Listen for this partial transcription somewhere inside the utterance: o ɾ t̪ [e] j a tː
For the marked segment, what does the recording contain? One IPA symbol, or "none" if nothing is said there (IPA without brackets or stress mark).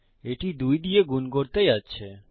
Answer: e